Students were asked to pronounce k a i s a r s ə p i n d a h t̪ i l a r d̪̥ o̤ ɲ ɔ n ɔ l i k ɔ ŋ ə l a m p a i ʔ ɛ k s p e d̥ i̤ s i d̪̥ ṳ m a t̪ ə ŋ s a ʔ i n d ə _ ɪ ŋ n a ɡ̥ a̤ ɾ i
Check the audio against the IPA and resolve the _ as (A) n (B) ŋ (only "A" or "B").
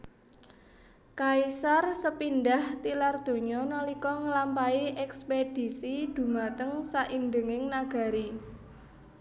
B